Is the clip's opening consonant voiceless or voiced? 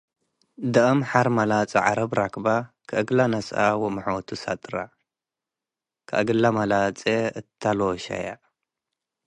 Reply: voiced